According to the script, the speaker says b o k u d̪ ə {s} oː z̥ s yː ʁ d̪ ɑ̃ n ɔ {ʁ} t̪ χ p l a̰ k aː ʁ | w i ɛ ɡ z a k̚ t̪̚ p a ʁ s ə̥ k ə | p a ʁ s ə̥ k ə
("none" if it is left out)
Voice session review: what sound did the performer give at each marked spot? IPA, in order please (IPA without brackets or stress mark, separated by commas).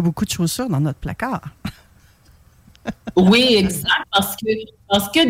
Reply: ʃ, none